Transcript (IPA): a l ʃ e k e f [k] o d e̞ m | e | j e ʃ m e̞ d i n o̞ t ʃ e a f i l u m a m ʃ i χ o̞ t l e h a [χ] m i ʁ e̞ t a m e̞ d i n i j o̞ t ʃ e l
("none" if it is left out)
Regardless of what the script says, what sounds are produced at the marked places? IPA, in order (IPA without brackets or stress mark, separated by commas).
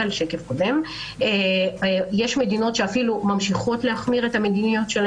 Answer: k, χ